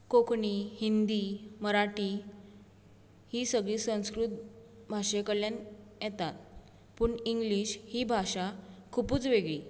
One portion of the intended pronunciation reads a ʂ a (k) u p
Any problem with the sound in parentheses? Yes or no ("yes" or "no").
yes